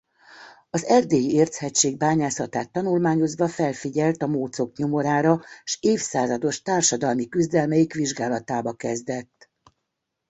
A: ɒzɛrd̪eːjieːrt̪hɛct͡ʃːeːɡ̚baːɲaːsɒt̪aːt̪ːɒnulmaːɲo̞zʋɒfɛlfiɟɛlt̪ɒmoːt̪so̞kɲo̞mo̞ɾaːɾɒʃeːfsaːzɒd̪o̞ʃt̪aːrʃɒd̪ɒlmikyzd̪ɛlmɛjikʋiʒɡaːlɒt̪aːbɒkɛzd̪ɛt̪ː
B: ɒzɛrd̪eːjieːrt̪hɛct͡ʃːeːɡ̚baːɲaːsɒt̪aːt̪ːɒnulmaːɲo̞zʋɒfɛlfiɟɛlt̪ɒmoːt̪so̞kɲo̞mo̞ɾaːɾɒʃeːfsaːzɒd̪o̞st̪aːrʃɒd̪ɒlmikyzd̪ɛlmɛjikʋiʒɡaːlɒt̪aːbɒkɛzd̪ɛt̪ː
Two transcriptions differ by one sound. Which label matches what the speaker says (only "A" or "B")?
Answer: A